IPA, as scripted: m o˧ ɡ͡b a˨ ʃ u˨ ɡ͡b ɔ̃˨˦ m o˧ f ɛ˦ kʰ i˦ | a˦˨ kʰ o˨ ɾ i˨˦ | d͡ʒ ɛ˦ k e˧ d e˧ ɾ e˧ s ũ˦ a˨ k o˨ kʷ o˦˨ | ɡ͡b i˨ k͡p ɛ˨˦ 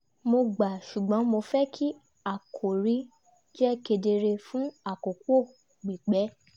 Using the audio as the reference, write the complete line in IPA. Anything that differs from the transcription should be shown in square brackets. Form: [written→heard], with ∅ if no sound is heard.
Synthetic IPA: m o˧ ɡ͡b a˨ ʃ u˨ ɡ͡b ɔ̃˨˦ m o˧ f ɛ˦ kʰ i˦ | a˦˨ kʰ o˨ ɾ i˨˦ | d͡ʒ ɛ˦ k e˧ d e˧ ɾ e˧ [s→f] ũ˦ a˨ k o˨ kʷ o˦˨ | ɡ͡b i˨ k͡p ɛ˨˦